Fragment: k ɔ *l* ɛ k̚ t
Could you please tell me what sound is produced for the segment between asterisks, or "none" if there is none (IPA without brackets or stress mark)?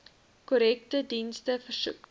ɾ